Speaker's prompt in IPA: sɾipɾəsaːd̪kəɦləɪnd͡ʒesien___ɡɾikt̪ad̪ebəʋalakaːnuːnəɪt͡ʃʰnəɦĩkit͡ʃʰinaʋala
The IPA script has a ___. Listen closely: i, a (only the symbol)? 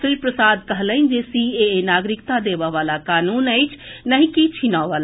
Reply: a